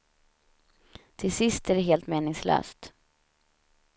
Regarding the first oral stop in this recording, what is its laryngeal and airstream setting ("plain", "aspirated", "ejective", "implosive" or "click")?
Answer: aspirated